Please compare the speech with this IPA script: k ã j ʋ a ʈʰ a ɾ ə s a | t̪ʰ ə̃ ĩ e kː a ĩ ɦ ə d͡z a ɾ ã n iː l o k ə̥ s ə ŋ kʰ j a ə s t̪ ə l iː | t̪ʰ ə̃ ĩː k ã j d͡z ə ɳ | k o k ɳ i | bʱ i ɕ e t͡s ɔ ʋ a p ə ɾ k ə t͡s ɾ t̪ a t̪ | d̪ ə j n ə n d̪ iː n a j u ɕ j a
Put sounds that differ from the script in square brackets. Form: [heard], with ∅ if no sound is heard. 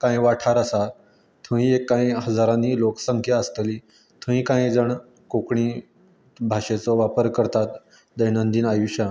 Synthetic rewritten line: k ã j ʋ a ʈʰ a ɾ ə s a | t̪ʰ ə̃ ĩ e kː a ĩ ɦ ə d͡z a ɾ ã n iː l o k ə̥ s ə ŋ kʰ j a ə s t̪ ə l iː | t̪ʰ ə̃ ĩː k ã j d͡z ə ɳ | k o k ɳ i | bʱ [a] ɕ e t͡s ɔ ʋ a p ə ɾ k ə [∅] ɾ t̪ a t̪ | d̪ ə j n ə n d̪ iː n a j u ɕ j a